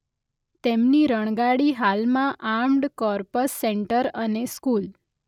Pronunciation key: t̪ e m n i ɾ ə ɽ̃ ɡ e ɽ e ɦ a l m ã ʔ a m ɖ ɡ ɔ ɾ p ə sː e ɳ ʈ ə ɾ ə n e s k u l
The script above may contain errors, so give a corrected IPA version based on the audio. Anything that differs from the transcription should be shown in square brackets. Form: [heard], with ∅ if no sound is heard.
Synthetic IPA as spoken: t̪ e m n i ɾ ə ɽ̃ ɡ [a] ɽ [i] ɦ a l m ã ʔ a m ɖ [k] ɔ ɾ p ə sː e ɳ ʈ ə ɾ ə n e s k u l